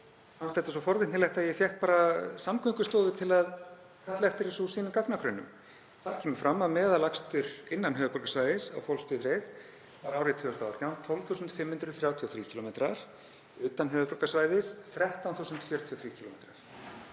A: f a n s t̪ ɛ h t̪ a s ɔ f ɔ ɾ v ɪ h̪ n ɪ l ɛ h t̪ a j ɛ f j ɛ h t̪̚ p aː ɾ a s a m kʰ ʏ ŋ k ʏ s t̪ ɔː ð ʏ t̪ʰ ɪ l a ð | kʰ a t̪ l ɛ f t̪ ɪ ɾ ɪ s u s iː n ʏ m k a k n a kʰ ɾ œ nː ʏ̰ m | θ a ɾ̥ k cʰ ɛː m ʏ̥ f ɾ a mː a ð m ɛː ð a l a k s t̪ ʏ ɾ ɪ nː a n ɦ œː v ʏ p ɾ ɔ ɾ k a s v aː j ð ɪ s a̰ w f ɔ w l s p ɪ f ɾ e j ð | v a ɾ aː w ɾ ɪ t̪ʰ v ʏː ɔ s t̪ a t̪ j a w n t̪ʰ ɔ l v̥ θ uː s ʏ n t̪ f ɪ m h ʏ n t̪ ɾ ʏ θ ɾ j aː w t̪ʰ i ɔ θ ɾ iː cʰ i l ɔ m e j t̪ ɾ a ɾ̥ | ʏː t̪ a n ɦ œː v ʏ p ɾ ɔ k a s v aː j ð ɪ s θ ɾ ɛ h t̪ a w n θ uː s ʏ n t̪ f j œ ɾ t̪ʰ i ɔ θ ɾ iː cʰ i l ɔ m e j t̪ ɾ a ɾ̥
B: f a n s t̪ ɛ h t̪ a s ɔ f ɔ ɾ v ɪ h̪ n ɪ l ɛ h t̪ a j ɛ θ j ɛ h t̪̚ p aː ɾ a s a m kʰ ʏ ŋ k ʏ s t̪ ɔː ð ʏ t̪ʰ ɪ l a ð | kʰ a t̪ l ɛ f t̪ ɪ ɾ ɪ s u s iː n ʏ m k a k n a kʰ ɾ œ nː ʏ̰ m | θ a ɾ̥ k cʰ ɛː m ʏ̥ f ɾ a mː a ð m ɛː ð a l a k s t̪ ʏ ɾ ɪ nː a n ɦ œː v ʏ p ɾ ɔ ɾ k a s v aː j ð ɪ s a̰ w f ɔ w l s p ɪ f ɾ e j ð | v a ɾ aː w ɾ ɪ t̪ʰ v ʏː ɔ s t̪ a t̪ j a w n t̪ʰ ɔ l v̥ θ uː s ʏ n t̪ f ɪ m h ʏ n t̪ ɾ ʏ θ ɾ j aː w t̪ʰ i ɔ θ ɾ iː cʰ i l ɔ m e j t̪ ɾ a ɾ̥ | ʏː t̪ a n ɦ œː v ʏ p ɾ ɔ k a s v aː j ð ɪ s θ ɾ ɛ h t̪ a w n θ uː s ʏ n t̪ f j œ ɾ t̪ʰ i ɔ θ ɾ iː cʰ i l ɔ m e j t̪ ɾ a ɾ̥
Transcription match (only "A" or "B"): A